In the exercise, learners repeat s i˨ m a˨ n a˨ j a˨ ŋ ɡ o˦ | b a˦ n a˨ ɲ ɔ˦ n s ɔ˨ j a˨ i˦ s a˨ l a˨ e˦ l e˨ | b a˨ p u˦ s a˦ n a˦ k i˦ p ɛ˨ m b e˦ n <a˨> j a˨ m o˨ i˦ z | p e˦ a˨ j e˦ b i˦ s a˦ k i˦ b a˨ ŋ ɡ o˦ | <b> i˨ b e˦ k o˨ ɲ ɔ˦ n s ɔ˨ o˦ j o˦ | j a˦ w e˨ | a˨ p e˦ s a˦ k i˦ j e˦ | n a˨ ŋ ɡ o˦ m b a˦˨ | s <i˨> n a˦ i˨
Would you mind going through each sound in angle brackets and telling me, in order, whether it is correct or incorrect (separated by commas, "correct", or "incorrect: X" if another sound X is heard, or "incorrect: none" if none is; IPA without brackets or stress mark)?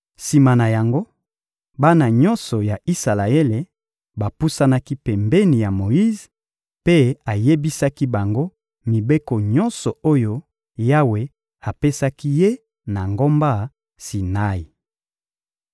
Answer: incorrect: i˨, incorrect: m, correct